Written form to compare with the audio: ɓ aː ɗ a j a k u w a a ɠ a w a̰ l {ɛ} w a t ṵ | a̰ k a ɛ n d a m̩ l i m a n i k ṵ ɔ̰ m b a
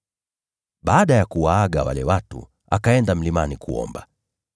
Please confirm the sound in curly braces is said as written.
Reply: yes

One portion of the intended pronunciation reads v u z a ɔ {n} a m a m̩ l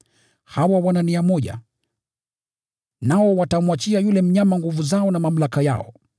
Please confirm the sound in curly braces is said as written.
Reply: yes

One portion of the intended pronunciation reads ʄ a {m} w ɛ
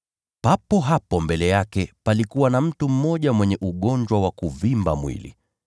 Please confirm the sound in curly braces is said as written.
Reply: yes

